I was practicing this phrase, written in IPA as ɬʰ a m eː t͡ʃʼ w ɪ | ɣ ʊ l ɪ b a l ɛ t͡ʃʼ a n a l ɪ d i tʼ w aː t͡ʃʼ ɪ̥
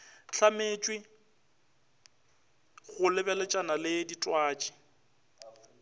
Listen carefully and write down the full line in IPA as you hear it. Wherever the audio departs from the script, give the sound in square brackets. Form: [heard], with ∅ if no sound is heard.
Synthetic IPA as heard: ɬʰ a m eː t͡ʃʼ w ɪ | ɣ ʊ l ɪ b [ɛ] l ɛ t͡ʃʼ a n a l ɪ d i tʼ w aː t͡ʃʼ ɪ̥